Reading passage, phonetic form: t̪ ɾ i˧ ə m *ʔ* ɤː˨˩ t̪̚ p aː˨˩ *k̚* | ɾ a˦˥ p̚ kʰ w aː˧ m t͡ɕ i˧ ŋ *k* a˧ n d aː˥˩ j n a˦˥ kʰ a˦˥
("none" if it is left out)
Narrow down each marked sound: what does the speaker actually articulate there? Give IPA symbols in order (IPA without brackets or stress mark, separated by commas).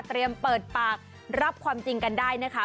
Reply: p, k̚, k